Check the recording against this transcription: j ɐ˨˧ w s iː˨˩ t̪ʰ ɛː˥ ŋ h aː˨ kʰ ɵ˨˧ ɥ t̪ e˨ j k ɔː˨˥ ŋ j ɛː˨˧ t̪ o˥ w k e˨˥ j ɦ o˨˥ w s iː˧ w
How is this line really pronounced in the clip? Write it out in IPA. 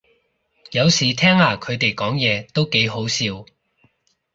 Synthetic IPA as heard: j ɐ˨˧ w s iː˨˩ t̪ʰ ɛː˥ ŋ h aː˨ kʰ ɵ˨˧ ɥ t̪ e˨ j k ɔː˨˥ ŋ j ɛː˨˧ t̪ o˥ w k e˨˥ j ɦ o˨˥ w s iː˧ w